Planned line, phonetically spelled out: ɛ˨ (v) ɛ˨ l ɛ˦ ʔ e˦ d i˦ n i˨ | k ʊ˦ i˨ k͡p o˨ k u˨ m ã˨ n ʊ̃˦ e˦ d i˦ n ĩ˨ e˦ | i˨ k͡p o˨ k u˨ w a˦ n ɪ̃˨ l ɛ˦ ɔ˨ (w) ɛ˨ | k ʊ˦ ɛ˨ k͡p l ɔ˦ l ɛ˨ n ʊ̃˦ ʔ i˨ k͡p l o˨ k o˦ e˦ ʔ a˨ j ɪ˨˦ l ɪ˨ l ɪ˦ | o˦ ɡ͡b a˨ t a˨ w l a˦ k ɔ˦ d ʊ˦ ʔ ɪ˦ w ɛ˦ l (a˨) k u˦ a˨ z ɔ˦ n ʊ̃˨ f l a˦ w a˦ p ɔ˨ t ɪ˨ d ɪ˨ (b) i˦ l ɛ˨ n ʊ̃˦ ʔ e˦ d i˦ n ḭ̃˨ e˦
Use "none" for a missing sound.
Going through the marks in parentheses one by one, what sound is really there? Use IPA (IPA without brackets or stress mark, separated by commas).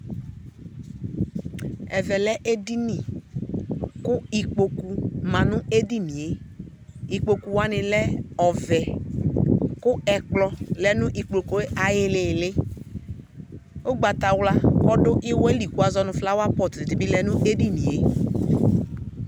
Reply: v, v, i˨, b